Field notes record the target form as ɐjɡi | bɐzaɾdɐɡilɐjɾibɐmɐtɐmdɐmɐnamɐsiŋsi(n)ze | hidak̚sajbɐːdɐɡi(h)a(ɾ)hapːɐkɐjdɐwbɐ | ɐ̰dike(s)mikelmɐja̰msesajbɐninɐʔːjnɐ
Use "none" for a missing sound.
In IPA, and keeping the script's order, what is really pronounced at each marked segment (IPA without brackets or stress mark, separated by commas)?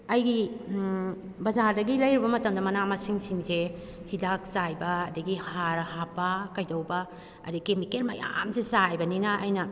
ŋ, h, ɾ, none